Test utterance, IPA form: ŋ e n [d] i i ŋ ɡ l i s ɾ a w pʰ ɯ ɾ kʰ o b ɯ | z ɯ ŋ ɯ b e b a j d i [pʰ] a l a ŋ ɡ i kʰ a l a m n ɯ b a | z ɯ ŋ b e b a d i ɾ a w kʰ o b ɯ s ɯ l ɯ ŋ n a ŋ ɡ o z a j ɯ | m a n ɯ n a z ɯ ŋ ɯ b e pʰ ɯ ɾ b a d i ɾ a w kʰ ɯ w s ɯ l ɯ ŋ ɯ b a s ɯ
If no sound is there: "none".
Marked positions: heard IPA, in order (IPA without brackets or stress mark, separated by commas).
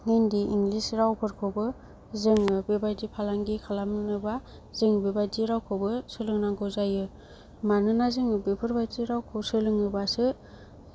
d, pʰ